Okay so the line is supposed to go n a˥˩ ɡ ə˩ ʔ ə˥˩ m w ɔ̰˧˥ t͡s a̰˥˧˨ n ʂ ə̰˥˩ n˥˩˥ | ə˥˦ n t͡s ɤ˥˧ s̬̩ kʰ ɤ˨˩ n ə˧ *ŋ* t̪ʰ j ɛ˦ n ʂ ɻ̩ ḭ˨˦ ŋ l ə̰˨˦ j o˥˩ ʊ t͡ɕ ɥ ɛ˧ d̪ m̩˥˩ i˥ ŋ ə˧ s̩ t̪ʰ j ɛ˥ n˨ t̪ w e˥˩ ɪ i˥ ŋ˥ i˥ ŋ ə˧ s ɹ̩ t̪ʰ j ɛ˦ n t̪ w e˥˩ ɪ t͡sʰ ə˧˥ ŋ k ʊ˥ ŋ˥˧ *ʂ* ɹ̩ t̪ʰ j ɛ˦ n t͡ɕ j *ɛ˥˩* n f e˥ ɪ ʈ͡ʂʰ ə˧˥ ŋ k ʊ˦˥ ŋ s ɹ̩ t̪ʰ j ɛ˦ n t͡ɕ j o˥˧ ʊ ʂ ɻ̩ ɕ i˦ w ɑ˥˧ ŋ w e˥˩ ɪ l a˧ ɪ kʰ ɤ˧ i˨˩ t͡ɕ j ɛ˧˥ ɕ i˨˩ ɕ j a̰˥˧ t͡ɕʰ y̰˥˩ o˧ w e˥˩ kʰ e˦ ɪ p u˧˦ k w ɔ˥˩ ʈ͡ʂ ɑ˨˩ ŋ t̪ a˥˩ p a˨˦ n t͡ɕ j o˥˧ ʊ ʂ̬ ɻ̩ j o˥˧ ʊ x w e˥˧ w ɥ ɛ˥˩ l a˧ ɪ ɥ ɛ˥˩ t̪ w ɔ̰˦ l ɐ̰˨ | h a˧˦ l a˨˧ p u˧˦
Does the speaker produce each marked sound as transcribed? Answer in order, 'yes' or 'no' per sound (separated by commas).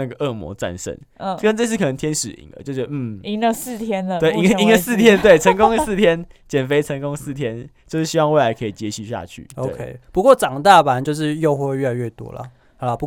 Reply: yes, no, no